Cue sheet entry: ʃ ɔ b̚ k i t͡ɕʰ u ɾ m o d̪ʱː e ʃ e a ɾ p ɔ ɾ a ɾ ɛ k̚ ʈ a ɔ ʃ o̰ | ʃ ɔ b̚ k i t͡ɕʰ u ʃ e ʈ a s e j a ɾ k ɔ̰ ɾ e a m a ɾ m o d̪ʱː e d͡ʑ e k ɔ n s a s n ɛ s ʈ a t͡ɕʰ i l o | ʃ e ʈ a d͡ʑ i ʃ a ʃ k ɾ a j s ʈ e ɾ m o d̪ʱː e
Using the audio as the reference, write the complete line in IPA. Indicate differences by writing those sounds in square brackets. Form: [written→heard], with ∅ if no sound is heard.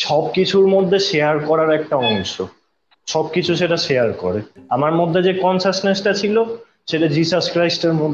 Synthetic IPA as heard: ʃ ɔ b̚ k i t͡ɕʰ u ɾ m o d̪ʱː e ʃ e a ɾ [p→k] ɔ ɾ a ɾ ɛ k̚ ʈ a ɔ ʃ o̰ | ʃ ɔ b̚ k i t͡ɕʰ u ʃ e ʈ a [s→ʃ] e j a ɾ k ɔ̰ ɾ e a m a ɾ m o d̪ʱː e d͡ʑ e k ɔ n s a s n [ɛ→e] s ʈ a t͡ɕʰ i l o | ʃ e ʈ a d͡ʑ i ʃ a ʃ k ɾ a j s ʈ e ɾ m o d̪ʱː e